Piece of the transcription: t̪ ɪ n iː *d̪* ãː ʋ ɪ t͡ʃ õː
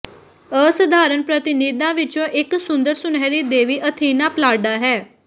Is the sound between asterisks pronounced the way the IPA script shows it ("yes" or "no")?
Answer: yes